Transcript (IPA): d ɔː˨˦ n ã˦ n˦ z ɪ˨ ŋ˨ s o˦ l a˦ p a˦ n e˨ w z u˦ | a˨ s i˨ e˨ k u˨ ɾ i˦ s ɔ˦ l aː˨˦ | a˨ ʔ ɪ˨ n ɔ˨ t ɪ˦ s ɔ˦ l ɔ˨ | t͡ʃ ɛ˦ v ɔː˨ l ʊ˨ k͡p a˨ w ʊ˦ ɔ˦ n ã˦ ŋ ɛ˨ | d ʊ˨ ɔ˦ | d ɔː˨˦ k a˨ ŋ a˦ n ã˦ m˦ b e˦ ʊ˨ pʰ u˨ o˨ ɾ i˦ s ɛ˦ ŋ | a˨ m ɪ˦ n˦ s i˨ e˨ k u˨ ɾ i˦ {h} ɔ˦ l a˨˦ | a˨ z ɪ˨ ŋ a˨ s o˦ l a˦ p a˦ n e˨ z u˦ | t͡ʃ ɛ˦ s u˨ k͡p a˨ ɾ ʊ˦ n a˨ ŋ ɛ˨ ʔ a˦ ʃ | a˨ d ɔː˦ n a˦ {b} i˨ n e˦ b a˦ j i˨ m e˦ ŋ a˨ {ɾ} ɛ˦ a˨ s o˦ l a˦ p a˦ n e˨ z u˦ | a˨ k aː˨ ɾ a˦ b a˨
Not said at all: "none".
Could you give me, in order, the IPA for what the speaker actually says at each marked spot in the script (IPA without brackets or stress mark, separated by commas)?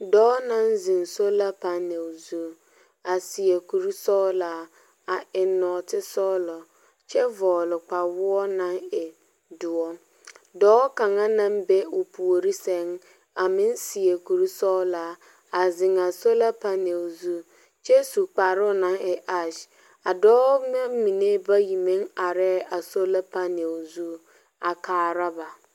s, m, ɾ